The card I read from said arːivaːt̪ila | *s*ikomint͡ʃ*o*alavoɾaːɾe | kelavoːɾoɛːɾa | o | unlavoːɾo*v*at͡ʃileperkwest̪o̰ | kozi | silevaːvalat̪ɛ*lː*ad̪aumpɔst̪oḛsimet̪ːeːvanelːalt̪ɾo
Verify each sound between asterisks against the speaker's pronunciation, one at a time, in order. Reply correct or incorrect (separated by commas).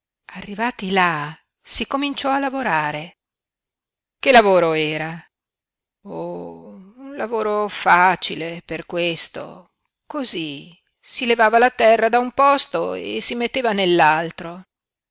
correct, incorrect, incorrect, incorrect